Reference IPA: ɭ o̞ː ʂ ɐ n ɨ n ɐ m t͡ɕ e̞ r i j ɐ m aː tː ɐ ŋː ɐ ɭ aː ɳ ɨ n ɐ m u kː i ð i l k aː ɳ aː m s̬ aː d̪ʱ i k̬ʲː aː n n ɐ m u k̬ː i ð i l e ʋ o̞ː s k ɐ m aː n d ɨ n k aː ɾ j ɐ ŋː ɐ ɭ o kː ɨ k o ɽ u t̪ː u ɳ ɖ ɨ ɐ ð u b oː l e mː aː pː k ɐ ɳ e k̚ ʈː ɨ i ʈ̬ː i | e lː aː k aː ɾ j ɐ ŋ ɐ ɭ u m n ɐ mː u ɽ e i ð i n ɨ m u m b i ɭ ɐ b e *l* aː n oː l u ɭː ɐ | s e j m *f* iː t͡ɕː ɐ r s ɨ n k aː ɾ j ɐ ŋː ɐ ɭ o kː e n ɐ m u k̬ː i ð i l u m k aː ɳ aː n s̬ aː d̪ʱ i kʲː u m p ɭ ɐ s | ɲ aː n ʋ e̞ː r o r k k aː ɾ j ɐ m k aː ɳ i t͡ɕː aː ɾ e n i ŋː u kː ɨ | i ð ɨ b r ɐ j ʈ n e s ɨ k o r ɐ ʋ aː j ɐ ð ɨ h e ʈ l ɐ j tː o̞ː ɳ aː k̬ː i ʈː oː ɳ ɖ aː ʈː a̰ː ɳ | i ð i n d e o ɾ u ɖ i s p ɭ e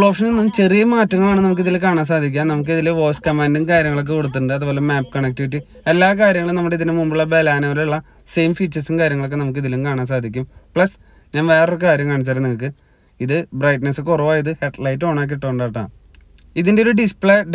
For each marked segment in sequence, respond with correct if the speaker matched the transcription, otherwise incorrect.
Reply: correct, correct

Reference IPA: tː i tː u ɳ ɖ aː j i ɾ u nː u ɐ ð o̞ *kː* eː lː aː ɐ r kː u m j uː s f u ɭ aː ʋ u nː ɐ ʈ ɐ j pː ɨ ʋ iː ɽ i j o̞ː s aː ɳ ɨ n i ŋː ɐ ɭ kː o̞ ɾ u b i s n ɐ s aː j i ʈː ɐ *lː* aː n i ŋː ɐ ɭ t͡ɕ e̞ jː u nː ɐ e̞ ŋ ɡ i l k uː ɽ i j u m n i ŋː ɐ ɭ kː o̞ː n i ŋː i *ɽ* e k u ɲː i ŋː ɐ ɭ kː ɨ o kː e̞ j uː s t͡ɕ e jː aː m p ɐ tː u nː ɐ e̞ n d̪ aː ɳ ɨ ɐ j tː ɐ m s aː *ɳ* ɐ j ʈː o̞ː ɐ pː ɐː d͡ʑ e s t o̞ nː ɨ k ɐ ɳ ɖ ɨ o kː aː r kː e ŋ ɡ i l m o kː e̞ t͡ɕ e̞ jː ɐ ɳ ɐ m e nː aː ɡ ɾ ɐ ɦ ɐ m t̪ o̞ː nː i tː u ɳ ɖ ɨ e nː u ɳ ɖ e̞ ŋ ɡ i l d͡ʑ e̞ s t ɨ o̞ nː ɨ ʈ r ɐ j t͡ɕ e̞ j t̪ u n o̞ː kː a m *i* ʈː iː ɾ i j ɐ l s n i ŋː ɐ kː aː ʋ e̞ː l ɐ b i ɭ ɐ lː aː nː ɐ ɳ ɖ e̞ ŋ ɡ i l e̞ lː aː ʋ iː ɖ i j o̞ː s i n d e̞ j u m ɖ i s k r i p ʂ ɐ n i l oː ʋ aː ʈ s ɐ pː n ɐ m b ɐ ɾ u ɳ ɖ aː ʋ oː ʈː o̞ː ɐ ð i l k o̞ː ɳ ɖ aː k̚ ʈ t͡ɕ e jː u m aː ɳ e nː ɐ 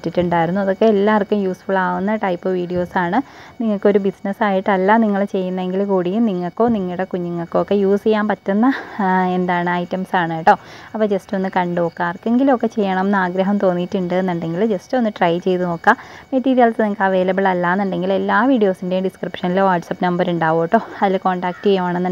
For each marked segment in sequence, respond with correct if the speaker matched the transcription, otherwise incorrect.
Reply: correct, correct, correct, correct, incorrect

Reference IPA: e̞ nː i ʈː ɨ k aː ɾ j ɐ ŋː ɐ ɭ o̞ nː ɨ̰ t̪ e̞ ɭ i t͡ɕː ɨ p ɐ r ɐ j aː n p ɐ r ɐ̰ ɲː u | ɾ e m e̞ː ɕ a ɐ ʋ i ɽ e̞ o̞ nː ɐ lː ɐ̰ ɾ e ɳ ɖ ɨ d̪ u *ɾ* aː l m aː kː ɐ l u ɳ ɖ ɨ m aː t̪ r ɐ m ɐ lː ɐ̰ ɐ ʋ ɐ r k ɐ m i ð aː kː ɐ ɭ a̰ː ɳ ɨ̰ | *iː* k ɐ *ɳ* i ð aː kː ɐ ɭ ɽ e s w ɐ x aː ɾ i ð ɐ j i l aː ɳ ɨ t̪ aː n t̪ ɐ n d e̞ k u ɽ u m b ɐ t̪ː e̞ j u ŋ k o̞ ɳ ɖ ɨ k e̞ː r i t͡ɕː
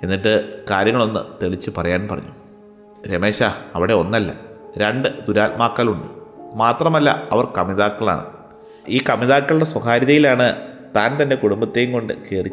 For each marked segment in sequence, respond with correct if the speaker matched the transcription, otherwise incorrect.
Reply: correct, correct, incorrect

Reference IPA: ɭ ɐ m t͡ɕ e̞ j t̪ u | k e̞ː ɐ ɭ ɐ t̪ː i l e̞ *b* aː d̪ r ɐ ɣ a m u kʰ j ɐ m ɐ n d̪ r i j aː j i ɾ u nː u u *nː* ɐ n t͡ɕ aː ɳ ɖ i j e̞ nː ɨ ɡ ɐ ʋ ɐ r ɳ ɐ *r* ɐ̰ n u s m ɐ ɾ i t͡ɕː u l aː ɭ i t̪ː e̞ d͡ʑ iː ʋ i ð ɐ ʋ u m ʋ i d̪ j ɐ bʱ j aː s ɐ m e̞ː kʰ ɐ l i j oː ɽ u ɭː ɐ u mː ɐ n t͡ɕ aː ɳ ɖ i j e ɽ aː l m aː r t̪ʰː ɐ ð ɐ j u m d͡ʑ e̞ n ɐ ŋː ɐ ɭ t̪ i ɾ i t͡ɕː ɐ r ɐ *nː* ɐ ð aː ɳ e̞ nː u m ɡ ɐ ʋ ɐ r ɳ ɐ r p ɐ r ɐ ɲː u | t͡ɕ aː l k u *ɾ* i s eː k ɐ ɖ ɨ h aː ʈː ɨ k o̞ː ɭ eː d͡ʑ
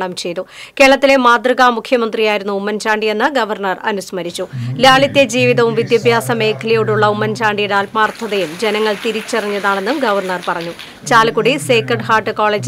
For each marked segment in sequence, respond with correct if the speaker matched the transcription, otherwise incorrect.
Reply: incorrect, incorrect, correct, incorrect, incorrect

